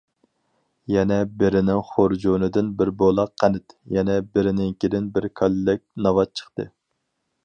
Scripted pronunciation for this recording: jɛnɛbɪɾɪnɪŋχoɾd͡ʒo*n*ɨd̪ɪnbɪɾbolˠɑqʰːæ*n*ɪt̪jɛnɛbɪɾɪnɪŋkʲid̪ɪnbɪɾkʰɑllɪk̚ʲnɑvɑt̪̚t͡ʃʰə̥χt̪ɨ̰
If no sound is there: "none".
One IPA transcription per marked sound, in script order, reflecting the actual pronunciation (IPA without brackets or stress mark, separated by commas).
n, n